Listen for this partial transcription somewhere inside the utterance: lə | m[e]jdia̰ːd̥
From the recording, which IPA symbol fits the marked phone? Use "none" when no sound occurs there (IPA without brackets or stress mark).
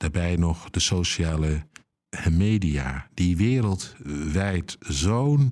e